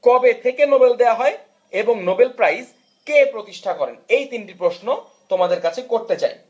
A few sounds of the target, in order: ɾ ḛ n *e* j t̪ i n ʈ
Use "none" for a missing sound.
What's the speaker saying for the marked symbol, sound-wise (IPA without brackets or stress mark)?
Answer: e